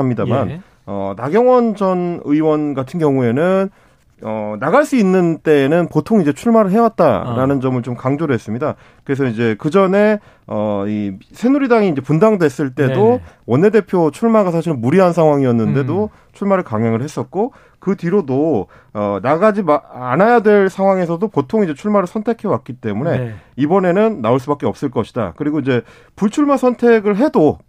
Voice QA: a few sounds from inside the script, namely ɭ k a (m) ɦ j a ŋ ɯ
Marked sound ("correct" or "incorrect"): incorrect